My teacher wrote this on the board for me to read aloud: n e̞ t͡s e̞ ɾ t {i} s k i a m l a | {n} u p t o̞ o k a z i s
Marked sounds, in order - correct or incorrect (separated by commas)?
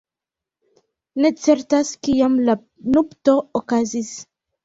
incorrect, correct